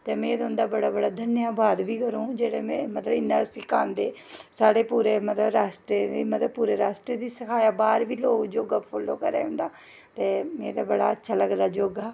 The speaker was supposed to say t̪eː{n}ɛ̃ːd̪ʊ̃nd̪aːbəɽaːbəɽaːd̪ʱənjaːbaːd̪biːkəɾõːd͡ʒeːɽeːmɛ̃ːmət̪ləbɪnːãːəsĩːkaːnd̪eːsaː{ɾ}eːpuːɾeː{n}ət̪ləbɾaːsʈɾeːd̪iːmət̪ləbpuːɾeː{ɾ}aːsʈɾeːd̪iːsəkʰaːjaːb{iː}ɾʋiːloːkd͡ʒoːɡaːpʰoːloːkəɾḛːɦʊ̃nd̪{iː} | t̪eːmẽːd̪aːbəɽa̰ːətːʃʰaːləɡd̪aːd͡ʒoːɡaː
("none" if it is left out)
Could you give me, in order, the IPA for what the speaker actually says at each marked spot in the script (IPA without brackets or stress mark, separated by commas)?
m, ɽ, m, ɾ, aː, aː